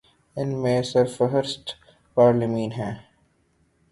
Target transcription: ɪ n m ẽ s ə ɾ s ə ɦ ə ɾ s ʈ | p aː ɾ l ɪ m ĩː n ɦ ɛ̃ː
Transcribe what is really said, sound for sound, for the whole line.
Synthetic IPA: ɪ n m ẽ s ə ɾ f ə ɦ ə ɾ s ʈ | p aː ɾ l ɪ m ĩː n ɦ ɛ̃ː